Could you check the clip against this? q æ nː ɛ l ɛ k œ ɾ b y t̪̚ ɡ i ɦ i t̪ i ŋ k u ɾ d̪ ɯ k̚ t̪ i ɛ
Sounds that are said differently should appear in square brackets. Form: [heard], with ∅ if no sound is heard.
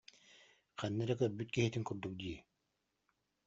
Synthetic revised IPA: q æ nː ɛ [ɾ] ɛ k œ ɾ b y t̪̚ [k] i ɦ i t̪ i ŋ k u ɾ d̪ [u] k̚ [d̪] i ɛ